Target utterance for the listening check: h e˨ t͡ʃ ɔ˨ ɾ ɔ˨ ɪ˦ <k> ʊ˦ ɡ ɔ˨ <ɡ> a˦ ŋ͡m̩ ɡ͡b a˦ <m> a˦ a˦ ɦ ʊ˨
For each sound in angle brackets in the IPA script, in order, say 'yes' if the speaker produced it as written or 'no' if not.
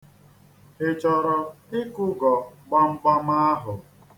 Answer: yes, no, yes

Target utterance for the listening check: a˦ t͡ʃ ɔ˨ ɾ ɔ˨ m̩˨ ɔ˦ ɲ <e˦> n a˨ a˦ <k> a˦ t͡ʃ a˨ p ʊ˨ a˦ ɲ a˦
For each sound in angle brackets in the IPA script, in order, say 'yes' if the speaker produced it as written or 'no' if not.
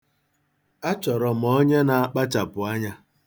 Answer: yes, no

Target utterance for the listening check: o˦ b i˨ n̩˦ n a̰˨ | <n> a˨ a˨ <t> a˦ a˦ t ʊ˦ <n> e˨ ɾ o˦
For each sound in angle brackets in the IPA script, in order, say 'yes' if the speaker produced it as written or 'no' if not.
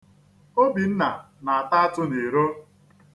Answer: yes, yes, yes

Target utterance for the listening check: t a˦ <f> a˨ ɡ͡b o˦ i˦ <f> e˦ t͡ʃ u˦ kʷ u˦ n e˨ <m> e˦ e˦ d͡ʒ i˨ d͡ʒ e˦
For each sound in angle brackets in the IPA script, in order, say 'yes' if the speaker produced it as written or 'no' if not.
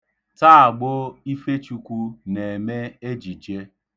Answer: no, yes, yes

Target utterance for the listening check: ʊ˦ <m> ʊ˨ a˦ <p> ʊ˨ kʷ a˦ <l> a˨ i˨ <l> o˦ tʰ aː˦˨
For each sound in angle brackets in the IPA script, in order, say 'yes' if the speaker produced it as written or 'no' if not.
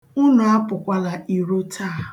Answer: no, yes, yes, no

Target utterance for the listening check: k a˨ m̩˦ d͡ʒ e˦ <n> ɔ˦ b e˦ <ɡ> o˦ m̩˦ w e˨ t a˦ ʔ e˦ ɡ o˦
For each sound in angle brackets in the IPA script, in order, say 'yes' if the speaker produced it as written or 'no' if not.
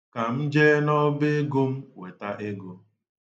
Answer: yes, yes

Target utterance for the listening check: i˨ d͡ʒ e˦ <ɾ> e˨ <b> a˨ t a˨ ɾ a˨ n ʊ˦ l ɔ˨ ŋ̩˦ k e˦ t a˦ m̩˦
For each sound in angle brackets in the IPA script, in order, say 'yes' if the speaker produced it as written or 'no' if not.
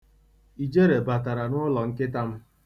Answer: yes, yes

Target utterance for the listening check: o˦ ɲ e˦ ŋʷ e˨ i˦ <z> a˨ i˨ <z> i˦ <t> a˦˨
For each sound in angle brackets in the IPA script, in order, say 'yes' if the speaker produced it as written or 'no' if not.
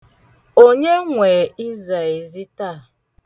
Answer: yes, yes, yes

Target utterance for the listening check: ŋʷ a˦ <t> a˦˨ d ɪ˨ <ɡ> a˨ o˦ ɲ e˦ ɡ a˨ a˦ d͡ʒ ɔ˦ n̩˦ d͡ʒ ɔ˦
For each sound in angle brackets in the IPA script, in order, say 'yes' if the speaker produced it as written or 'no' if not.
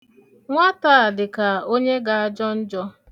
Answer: yes, no

